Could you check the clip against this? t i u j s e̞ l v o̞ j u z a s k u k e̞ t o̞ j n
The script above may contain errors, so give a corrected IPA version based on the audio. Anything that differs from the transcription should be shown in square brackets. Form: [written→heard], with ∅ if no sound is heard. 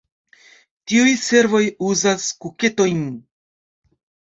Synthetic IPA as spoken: t i u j s e̞ [l→ɾ] v o̞ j u z a s k u k e̞ t o̞ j n

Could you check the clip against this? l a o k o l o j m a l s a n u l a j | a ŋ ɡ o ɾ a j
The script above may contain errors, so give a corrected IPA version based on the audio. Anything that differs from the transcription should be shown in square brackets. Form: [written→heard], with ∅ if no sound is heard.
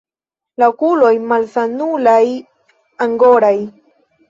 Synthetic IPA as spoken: l a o k [o→u] l o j m a l s a n u l a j | a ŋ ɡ o ɾ a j

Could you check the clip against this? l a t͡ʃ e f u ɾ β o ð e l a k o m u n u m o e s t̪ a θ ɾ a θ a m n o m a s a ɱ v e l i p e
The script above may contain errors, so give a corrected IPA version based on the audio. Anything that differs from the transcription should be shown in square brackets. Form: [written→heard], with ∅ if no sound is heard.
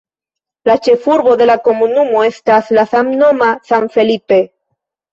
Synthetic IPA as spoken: l a t͡ʃ e f u ɾ β o ð e l a k o m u n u m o e s t̪ a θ [ɾ→l] a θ a m n o m a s a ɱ [v→f] e l i p e

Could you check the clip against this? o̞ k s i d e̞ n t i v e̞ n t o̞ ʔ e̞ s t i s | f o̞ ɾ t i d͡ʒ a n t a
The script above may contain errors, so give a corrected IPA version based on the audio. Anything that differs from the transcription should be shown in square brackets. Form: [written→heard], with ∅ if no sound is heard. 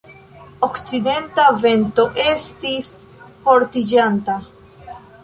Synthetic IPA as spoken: o̞ k [s→t͡s] i d e̞ n t [i→a] v e̞ n t o̞ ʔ e̞ s t i s | f o̞ ɾ t i d͡ʒ a n t a

